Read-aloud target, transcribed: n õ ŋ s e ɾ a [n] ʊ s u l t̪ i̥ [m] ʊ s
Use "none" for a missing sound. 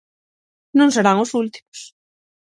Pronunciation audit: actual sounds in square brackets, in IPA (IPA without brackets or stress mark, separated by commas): ŋ, m